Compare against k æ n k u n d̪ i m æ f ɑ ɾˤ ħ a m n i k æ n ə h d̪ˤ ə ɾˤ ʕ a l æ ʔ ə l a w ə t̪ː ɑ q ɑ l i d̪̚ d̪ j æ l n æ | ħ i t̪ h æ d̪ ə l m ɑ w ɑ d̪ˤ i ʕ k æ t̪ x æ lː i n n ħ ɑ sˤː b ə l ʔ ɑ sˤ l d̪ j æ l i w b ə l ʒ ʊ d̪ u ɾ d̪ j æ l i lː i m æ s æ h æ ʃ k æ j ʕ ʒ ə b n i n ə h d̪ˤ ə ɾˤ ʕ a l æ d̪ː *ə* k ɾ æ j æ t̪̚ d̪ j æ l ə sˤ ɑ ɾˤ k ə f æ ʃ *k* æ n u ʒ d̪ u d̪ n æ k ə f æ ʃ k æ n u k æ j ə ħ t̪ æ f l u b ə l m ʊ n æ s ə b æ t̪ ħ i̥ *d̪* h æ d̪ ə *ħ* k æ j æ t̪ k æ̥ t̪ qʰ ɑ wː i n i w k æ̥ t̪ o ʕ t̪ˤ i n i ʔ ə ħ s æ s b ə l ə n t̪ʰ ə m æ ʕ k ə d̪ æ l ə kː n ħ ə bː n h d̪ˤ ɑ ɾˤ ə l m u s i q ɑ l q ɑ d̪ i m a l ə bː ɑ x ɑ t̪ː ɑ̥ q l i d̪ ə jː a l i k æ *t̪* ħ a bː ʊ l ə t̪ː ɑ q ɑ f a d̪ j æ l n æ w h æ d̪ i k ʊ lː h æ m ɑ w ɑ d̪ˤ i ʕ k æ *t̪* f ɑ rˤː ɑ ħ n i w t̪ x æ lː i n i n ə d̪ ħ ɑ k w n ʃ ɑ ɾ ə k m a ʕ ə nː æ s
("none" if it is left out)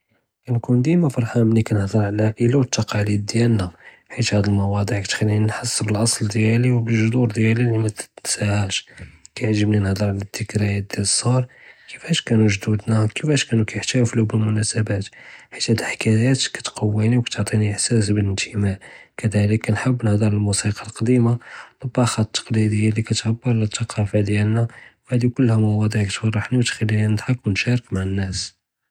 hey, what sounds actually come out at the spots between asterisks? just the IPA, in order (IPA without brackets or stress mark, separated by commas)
ə, k, t̪, ħ, t̪, t̪